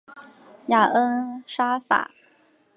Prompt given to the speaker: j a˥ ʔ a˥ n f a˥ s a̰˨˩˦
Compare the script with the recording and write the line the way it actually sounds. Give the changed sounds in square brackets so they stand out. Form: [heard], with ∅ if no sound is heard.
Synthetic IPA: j [a˨˩] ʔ [ə˥] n [ʂ] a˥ s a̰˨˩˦

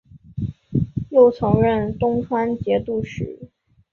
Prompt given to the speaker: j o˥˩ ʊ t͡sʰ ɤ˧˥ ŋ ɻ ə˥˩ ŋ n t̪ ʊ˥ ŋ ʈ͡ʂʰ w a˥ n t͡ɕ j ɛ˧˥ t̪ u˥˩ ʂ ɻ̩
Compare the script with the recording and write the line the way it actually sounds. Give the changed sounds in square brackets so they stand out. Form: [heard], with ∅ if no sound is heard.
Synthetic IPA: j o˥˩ ʊ t͡sʰ ɤ˧˥ ŋ ɻ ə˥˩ [∅] n t̪ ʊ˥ ŋ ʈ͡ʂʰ w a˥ n t͡ɕ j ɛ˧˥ t̪ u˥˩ ʂ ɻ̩

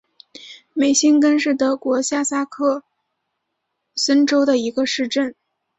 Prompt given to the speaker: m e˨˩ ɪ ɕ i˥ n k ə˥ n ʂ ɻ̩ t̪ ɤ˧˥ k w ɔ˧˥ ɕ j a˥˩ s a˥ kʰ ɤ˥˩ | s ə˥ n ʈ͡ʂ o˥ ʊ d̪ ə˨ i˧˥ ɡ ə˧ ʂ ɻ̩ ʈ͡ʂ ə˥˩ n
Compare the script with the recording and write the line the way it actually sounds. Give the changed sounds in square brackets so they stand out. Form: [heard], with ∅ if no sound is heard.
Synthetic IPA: m e˨˩ ɪ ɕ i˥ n k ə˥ n ʂ ɻ̩ t̪ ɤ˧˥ k w ɔ˧˥ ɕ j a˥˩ s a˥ kʰ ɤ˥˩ | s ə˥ n ʈ͡ʂ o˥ ʊ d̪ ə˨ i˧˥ ɡ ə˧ ʂ ɻ̩ ʈ͡ʂ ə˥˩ n

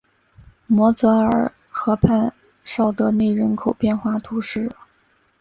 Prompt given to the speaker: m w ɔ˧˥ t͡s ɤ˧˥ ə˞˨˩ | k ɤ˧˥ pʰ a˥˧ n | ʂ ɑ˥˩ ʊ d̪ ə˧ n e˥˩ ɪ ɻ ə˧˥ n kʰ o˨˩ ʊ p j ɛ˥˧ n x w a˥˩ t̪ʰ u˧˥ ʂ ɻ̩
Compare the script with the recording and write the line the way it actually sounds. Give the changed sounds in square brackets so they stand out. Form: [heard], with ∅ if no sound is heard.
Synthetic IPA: m w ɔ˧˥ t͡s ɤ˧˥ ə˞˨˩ | [x] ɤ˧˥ pʰ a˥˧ n | ʂ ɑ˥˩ ʊ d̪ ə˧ n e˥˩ ɪ ɻ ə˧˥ n kʰ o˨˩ ʊ p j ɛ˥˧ n x w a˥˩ t̪ʰ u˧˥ ʂ ɻ̩

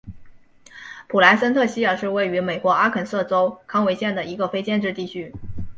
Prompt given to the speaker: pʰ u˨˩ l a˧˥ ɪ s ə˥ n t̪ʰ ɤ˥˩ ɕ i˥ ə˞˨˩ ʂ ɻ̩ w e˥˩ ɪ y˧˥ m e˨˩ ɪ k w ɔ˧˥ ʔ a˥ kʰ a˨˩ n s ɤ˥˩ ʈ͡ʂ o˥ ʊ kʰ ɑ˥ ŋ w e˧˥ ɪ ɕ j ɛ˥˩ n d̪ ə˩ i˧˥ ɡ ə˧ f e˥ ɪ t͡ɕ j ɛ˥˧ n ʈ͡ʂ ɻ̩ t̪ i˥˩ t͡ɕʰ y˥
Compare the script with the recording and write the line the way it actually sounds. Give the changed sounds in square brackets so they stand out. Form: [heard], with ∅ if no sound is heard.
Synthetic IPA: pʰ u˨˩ l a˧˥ ɪ s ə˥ n t̪ʰ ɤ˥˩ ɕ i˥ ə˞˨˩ ʂ ɻ̩ w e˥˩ ɪ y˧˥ m e˨˩ ɪ k w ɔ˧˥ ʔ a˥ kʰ [ə˨˩] n s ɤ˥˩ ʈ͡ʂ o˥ ʊ kʰ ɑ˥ ŋ w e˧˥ ɪ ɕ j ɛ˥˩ n d̪ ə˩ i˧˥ ɡ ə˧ f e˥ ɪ t͡ɕ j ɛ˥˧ n ʈ͡ʂ ɻ̩ t̪ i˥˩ t͡ɕʰ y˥

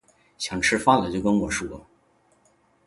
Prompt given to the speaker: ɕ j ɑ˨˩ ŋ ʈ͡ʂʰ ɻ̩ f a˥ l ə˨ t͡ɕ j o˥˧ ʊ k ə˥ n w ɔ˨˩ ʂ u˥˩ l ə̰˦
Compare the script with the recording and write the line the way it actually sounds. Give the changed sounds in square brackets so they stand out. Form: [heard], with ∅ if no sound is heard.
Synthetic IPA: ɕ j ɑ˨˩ ŋ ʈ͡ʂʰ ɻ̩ f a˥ l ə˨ t͡ɕ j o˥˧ ʊ k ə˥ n w ɔ˨˩ ʂ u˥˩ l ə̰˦

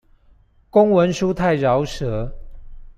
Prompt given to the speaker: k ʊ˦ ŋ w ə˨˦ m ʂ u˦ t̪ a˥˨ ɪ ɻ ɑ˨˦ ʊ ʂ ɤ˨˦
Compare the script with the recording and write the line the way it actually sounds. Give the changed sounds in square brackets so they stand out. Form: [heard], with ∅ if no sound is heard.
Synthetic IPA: k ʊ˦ ŋ w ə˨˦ [n] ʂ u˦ [t̪ʰ] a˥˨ ɪ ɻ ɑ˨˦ ʊ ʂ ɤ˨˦

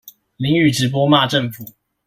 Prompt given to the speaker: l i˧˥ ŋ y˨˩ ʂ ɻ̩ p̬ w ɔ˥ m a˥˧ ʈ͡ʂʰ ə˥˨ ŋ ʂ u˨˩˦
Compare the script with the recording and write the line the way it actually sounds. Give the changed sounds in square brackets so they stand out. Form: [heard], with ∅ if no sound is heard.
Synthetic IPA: l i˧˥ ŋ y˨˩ [ʈ͡ʂ] ɻ̩ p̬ w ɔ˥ m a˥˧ [ʈ͡ʂ] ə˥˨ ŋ [f] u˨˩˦

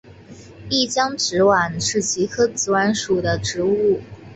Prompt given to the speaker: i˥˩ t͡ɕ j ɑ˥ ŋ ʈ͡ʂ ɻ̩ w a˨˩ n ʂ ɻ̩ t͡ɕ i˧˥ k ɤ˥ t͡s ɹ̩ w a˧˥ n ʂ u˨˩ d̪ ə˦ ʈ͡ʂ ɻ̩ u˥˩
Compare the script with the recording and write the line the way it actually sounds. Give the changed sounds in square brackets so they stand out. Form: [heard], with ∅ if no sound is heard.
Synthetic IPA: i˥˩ t͡ɕ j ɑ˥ ŋ ʈ͡ʂ ɻ̩ w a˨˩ n ʂ ɻ̩ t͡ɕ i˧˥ [kʰ] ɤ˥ t͡s ɹ̩ w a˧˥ n ʂ u˨˩ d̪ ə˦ ʈ͡ʂ ɻ̩ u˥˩

